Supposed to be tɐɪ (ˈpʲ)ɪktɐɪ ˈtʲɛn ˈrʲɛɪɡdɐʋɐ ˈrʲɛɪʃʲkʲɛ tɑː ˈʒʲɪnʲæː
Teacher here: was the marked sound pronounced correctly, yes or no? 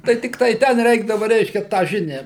no